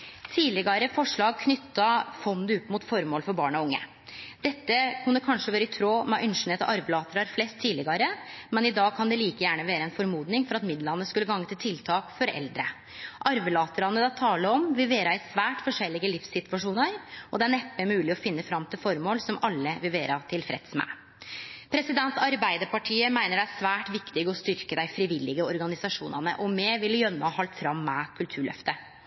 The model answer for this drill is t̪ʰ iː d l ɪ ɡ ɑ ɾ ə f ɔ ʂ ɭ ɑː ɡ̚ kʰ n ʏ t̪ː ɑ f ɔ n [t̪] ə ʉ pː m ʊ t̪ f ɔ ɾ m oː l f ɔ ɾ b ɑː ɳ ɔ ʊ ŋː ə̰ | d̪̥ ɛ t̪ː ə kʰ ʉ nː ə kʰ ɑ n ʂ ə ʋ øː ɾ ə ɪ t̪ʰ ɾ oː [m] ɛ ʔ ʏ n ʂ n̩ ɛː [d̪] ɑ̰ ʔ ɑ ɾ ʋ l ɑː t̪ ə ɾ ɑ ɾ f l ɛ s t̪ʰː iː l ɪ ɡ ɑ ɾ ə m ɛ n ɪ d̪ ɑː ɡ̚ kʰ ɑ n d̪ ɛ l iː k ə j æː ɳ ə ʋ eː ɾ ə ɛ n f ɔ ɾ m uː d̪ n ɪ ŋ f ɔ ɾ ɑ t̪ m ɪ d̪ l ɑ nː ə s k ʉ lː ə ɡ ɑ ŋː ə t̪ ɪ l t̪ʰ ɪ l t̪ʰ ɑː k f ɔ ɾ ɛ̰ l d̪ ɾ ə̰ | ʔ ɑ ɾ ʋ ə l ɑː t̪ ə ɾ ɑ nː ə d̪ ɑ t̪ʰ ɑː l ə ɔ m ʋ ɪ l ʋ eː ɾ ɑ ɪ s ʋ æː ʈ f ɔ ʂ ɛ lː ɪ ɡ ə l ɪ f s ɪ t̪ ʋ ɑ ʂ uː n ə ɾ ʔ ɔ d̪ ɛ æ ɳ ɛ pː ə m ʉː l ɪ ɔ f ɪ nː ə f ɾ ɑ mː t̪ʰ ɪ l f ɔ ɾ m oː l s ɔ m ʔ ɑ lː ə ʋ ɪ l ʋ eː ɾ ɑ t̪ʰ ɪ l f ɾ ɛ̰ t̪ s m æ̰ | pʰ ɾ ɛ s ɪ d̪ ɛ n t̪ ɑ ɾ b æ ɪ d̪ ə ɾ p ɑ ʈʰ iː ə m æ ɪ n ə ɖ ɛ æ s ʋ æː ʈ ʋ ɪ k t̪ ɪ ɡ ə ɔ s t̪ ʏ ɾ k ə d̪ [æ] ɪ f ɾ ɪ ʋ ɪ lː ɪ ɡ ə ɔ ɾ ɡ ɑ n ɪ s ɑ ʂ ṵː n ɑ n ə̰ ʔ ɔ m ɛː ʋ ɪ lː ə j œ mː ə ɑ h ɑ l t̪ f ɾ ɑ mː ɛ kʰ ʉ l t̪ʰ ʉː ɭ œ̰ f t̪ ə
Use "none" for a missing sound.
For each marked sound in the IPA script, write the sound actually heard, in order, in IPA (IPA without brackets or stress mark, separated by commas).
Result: d̪, m, t̪, æ